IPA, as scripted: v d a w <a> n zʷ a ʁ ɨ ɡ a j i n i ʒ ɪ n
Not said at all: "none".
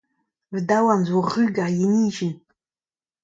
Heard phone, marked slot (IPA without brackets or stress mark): a